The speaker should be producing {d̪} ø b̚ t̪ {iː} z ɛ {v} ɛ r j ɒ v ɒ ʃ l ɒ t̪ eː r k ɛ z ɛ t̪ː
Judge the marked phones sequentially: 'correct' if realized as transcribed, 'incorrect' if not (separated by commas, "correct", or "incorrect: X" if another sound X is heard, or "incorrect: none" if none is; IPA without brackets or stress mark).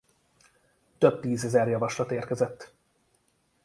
incorrect: t̪, correct, incorrect: z